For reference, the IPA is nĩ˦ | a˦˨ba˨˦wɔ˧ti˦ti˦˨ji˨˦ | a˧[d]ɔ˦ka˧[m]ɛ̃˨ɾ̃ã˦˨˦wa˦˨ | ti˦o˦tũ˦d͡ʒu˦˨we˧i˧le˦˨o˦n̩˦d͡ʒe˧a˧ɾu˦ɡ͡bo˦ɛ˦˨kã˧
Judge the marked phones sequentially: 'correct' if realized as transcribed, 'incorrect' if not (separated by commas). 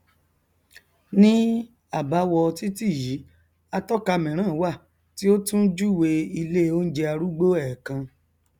incorrect, correct